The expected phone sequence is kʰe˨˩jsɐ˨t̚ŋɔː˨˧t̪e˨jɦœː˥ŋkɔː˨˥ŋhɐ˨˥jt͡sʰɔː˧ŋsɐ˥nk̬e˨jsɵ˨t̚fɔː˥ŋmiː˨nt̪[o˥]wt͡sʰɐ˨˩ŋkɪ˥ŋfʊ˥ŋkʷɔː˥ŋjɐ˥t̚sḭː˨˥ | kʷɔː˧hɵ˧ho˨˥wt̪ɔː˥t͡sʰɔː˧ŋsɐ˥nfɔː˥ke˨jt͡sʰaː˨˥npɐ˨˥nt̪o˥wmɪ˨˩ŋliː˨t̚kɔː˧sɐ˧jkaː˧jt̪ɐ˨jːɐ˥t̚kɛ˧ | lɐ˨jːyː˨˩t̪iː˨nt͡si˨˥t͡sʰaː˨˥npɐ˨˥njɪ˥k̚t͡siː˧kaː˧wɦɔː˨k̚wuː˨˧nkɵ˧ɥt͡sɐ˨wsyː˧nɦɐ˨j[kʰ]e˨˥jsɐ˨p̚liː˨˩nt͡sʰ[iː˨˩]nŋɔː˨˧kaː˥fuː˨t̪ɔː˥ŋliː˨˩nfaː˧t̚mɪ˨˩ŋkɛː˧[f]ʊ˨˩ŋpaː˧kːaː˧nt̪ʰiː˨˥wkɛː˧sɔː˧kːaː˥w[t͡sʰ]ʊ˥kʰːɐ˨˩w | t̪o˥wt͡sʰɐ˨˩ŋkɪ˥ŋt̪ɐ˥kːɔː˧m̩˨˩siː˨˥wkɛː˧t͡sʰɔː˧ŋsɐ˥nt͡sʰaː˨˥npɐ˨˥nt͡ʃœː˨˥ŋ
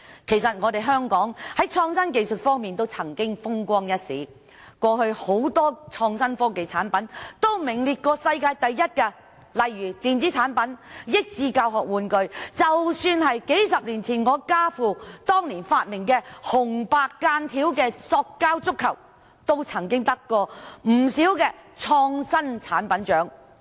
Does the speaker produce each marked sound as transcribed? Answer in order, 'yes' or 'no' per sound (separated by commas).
yes, no, yes, no, no